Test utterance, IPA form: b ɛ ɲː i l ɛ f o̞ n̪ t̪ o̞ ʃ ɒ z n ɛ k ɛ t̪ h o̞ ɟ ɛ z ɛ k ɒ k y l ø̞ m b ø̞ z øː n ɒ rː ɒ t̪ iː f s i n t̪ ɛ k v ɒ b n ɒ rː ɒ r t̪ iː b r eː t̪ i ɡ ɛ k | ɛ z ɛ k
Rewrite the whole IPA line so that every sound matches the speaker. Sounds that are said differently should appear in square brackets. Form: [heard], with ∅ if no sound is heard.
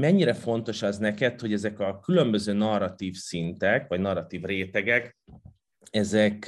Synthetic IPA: [m] ɛ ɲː i [ɾ] ɛ f o̞ n̪ t̪ o̞ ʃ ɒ z n ɛ k ɛ t̪ h o̞ ɟ ɛ z ɛ k ɒ k y l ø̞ m b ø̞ z øː n ɒ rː ɒ t̪ iː f s i n t̪ ɛ k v ɒ [ɟ] n ɒ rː ɒ [∅] t̪ iː [v] r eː t̪ [ɛ] ɡ ɛ k | ɛ z ɛ k